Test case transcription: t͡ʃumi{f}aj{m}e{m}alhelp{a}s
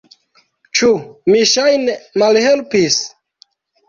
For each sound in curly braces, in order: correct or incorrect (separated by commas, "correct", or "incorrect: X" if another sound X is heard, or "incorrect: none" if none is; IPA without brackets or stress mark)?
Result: incorrect: ʃ, incorrect: n, correct, incorrect: i